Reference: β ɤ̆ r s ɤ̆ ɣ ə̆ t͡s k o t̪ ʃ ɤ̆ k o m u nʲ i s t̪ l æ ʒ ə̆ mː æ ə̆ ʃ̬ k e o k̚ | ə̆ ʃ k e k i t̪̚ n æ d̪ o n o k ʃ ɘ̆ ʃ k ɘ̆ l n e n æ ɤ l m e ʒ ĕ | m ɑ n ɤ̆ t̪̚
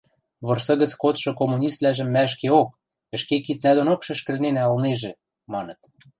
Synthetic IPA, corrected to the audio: β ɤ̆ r s ɤ̆ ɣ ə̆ t͡s k o t̪ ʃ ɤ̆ k o m u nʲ i s t̪ l æ ʒ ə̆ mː æ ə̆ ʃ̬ k e o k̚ | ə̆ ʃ k e k i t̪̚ n æ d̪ o n o k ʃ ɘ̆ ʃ k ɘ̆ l n e n æ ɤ l n e ʒ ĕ | m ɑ n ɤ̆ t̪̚